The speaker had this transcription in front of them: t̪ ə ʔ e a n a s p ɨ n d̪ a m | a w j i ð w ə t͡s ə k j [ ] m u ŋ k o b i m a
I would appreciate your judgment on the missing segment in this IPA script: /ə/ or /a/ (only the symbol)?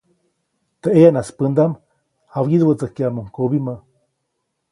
a